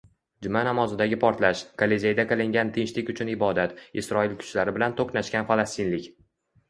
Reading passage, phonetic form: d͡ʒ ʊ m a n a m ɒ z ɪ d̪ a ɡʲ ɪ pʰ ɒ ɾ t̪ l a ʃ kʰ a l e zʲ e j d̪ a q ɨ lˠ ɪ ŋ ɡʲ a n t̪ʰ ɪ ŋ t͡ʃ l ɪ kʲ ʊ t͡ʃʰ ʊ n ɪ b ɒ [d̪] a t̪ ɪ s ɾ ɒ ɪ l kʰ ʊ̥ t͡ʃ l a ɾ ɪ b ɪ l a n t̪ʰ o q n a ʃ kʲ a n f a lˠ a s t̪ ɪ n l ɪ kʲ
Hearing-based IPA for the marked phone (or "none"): d̪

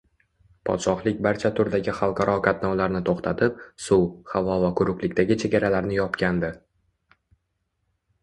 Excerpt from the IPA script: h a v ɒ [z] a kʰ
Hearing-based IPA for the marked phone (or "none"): v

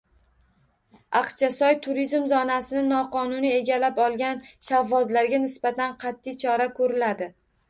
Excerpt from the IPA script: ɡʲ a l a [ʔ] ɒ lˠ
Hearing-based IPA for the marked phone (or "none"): p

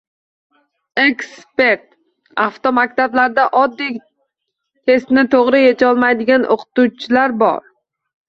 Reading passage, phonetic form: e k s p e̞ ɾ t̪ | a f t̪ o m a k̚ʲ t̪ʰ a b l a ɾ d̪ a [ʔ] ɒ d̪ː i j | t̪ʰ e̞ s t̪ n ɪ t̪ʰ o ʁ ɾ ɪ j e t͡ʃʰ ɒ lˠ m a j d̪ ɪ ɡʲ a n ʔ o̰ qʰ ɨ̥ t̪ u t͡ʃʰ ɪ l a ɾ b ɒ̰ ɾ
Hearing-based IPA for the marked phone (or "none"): ʔ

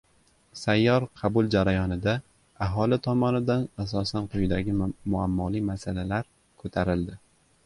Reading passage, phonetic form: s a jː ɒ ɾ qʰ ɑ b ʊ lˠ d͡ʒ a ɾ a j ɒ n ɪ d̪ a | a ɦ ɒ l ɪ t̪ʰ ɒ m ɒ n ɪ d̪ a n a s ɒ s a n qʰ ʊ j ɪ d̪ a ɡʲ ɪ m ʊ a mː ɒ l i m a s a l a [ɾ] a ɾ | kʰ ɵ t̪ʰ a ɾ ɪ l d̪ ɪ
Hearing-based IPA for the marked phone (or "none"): l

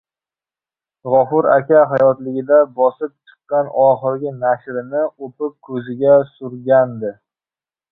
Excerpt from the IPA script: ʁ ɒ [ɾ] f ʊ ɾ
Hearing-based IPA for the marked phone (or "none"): none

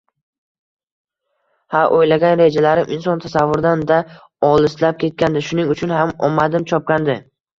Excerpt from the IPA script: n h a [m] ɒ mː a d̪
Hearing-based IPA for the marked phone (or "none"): m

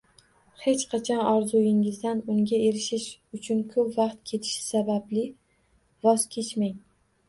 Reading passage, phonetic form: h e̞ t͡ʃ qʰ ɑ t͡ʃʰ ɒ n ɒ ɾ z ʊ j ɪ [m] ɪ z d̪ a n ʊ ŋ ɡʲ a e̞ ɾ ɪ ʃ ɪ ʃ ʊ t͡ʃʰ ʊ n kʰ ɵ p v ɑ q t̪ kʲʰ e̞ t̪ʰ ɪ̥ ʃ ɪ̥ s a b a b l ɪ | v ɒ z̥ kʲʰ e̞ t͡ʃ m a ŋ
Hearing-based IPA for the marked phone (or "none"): ŋ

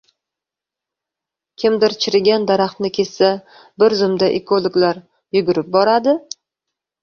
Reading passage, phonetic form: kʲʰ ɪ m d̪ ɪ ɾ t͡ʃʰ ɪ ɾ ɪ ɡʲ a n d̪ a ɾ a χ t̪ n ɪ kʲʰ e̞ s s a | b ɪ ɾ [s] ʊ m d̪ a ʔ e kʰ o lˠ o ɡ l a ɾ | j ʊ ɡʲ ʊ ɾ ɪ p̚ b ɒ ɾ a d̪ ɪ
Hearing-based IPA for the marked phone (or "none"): z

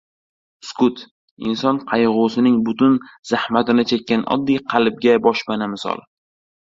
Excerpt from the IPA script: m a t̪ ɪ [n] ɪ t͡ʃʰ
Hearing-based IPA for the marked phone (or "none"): n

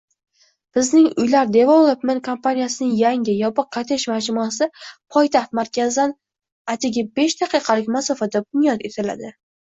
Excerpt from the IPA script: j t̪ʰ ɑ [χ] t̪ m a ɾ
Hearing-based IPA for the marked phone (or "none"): χ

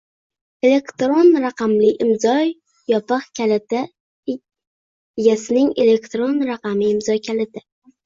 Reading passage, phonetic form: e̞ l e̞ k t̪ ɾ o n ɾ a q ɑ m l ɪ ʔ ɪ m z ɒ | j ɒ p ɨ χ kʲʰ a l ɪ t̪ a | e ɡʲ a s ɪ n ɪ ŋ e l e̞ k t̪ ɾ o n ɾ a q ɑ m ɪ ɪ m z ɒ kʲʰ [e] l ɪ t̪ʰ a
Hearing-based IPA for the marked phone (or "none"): a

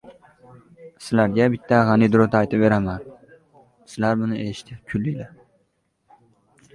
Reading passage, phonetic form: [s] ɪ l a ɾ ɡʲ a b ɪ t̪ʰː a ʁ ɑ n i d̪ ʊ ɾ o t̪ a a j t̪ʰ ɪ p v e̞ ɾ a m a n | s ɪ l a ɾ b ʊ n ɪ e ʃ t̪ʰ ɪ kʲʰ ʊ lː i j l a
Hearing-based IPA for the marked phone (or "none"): s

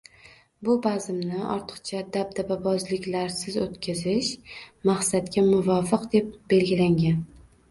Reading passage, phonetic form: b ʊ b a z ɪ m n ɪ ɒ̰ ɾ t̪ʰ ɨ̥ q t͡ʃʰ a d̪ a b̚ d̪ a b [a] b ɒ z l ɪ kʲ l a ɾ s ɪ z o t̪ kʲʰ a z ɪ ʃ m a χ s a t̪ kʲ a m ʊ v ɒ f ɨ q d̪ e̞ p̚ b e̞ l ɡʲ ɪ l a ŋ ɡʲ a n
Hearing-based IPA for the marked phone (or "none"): a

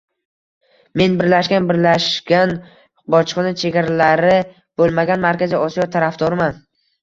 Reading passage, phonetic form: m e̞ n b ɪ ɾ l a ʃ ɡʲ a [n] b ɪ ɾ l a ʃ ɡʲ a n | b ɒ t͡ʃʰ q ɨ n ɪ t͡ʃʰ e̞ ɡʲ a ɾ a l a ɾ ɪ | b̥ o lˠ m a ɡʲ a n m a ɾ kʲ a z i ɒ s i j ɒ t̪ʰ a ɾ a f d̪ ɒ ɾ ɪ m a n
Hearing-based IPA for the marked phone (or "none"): n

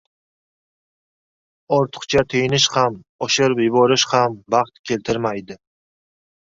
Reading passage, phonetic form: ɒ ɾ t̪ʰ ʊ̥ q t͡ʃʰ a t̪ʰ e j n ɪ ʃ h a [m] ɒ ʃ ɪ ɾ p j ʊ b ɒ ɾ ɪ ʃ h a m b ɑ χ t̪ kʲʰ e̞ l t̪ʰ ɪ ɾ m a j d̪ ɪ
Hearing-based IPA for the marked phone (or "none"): m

